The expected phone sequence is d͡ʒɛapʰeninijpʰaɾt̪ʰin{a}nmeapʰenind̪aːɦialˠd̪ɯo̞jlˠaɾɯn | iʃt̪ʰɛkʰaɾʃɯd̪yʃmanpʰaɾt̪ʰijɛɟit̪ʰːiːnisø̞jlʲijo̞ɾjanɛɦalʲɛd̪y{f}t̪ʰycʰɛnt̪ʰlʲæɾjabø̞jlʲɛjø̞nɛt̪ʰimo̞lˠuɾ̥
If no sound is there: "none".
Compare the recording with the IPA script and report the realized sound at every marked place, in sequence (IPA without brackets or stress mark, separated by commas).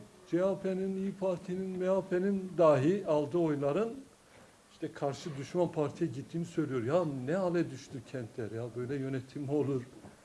i, ʃ